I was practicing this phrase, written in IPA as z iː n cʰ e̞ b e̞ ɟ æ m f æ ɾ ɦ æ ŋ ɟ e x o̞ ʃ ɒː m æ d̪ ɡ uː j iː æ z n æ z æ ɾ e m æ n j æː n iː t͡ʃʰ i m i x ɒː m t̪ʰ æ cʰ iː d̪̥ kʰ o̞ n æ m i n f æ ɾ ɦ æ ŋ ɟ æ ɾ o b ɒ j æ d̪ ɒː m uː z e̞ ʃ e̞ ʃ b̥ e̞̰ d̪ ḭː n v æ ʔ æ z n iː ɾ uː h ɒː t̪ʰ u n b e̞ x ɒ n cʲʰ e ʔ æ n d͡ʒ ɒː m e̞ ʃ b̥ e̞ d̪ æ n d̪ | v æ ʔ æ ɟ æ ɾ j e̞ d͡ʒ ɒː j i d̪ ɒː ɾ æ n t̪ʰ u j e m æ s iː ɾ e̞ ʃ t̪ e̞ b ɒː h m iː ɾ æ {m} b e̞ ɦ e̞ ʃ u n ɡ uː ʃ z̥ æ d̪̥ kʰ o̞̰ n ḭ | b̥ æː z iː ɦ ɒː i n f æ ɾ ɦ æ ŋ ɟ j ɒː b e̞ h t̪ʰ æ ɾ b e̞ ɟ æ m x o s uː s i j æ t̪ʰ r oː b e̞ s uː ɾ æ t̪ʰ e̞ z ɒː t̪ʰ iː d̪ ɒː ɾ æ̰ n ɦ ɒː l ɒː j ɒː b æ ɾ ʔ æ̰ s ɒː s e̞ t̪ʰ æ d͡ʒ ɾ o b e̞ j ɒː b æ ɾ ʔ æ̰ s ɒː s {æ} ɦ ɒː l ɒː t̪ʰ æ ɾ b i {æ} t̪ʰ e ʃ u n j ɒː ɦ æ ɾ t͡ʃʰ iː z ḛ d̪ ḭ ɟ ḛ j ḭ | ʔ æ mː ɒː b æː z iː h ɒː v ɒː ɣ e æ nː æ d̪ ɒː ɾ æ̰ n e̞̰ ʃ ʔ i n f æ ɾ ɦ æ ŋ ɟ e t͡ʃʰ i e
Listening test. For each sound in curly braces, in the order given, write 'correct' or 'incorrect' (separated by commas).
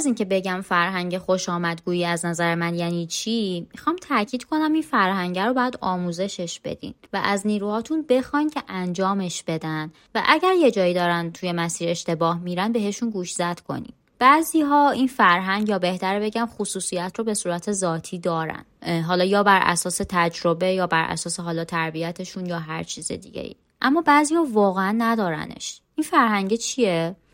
incorrect, incorrect, correct